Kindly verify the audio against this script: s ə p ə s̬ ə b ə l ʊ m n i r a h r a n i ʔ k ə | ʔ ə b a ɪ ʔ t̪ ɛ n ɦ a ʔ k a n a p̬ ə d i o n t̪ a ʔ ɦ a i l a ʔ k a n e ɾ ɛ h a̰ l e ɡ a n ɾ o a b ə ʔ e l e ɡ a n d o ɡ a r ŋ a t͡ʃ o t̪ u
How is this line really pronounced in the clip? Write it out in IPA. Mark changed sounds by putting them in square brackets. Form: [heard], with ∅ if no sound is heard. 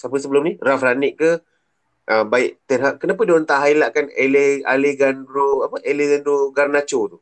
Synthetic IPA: s [a] p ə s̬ ə b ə l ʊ m n i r a [f] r a n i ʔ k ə | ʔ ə b a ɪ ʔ t̪ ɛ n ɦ a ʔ k [ə] n a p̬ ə d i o n t̪ a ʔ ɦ a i l a ʔ k a n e [l] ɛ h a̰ l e ɡ a n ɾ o a [p] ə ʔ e l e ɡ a n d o ɡ a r [n] a t͡ʃ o t̪ u